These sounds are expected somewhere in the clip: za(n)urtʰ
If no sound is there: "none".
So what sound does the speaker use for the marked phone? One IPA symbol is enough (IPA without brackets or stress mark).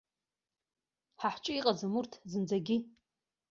m